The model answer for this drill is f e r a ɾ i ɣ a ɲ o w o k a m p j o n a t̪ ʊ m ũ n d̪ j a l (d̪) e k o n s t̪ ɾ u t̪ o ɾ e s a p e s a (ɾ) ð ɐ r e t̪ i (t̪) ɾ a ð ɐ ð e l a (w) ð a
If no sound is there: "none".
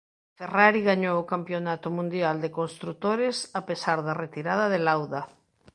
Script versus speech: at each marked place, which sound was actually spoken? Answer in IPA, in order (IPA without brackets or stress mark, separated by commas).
d̪, ɾ, none, w